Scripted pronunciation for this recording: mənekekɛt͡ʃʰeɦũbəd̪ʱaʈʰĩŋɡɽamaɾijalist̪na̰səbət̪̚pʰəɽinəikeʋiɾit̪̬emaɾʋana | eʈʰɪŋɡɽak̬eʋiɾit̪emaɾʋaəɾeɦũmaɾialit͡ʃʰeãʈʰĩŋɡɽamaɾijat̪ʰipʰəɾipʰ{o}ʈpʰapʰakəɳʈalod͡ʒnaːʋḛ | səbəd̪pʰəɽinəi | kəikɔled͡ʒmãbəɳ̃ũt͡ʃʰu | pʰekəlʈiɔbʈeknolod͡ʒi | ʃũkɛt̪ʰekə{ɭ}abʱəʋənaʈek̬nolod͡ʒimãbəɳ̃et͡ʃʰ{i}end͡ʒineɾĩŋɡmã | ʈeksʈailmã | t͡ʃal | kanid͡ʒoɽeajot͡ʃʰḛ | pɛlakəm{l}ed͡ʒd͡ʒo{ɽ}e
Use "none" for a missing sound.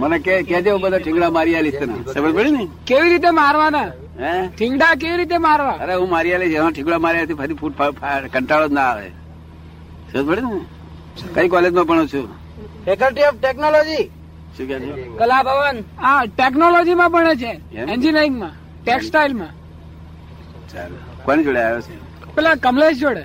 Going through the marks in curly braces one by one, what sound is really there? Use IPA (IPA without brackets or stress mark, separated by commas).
u, l, e, l, ɽ